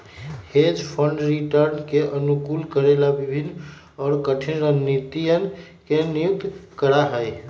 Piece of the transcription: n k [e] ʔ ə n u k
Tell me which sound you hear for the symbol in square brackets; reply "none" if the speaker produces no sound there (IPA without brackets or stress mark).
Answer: e